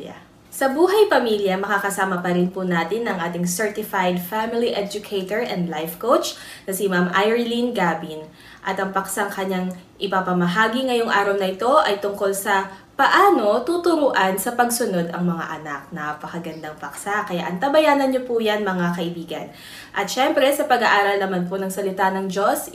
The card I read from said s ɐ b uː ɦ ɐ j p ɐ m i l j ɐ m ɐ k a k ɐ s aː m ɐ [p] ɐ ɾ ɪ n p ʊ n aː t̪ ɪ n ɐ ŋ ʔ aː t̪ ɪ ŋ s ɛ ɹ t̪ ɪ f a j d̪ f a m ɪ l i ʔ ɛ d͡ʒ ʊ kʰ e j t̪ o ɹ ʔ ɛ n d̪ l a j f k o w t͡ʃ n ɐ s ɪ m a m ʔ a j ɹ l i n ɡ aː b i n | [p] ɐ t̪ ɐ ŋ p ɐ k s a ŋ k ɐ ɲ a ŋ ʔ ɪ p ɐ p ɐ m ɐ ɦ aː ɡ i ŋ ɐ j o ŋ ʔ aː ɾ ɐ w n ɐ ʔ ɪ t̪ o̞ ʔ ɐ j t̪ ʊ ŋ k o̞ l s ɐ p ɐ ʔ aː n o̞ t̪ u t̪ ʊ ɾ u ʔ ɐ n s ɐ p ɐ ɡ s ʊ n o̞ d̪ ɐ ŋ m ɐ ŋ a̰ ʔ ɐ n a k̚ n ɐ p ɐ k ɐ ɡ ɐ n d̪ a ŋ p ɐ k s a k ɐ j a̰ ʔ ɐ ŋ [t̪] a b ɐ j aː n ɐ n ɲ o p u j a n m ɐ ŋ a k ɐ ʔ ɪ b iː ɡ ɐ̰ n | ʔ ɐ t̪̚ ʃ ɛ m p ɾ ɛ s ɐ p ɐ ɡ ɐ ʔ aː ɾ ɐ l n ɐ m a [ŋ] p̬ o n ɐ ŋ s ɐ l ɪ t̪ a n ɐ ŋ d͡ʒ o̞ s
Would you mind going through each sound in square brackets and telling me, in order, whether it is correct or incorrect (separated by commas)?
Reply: correct, incorrect, correct, incorrect